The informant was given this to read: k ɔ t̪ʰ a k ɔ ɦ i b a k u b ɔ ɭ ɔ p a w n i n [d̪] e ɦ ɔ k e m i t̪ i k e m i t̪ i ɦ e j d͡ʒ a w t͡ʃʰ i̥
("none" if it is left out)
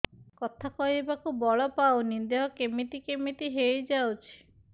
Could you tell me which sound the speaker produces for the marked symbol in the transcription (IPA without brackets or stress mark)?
d̪